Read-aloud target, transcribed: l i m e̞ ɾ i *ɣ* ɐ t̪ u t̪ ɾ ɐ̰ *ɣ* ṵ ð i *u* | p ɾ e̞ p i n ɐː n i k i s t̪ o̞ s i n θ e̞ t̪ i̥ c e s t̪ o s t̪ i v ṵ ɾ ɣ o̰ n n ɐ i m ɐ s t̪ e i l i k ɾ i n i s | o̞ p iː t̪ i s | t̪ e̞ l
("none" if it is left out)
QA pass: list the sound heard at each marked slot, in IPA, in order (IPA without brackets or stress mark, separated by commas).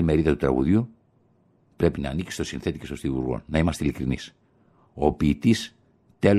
ð, ɣ, u